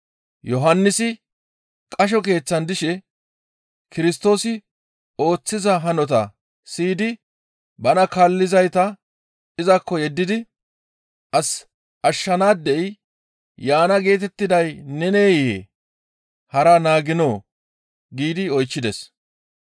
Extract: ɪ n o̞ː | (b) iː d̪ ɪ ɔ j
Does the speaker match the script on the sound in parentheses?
no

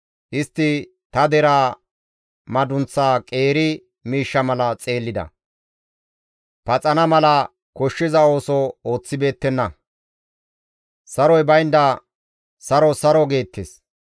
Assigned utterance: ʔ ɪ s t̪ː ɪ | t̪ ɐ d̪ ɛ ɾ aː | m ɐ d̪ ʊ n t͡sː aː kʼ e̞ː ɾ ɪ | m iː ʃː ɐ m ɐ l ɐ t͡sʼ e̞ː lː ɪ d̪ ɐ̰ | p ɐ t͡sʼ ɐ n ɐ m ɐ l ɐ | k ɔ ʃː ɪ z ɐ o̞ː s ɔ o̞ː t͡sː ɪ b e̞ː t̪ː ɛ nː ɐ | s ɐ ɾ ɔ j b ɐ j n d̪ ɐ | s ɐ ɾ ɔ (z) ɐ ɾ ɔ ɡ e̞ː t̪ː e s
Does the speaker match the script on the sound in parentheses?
no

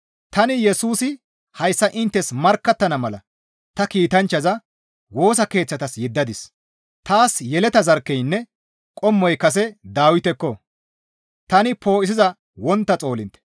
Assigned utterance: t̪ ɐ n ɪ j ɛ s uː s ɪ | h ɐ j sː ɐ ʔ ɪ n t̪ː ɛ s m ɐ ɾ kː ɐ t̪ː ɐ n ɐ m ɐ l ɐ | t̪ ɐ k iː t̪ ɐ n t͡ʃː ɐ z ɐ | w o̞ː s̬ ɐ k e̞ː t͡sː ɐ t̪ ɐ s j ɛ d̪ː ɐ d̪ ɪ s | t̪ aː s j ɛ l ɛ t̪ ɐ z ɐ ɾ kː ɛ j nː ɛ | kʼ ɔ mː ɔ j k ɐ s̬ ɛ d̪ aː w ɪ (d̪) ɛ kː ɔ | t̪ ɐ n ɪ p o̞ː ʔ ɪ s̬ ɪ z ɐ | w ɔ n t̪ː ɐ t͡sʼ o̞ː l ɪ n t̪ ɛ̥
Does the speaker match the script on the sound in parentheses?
no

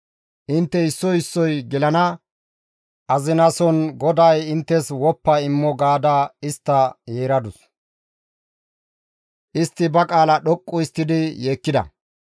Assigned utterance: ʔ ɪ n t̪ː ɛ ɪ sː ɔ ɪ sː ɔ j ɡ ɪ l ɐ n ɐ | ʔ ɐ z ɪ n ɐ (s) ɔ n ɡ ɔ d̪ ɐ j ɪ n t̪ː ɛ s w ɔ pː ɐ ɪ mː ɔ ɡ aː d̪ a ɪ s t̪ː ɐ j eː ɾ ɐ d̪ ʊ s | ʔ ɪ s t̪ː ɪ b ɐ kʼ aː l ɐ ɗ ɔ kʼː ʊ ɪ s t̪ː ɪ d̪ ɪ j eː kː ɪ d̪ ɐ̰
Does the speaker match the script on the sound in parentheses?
yes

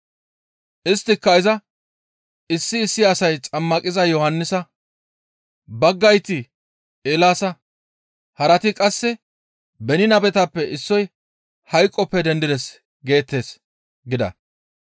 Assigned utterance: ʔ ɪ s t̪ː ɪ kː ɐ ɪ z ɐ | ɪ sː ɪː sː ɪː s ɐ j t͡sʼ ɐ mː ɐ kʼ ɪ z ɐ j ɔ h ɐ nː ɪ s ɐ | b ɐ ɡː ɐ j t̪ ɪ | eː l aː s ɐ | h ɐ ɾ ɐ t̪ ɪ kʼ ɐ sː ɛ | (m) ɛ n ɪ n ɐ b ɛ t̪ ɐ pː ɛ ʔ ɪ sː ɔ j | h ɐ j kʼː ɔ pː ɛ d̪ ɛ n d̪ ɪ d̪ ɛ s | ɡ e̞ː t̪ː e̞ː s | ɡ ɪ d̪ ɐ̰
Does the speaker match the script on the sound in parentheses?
no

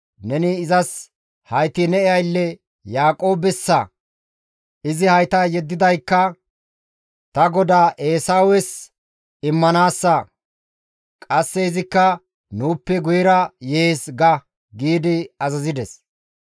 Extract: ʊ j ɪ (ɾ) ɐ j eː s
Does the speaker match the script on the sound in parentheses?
yes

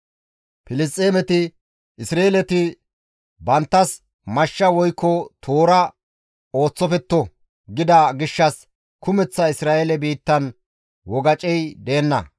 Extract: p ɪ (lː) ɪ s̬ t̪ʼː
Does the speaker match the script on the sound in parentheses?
no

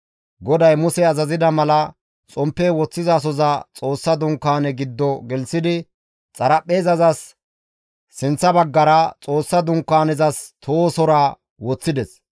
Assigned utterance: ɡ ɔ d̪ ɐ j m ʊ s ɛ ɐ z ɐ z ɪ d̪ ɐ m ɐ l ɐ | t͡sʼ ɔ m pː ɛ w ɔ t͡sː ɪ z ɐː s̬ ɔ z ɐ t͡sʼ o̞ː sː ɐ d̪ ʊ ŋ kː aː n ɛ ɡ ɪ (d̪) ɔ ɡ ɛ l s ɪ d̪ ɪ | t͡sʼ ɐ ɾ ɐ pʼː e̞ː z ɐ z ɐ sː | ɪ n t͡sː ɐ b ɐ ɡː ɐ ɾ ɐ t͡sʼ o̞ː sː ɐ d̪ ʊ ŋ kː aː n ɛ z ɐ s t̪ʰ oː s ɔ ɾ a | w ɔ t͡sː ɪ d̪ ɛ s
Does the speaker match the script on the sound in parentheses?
no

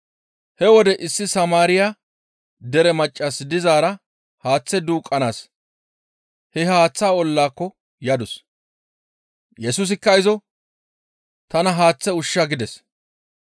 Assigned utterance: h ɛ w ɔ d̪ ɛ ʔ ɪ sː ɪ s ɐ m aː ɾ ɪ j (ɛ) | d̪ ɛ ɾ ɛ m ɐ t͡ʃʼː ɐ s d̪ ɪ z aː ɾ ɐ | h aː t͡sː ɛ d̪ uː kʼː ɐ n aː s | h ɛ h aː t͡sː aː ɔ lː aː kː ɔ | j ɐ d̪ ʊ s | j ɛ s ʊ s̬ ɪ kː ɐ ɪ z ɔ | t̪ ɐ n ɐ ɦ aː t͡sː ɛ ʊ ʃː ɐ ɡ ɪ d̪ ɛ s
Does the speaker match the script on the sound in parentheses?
no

